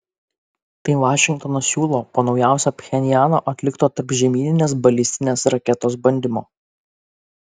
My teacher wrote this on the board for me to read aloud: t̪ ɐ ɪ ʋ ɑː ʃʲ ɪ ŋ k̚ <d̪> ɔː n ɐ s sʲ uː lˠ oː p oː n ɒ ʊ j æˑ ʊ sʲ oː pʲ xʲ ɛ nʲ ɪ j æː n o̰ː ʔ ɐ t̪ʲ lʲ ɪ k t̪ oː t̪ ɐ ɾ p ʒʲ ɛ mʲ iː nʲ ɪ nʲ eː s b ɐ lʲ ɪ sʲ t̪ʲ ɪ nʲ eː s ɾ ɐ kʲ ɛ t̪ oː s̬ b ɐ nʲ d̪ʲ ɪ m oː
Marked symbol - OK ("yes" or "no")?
no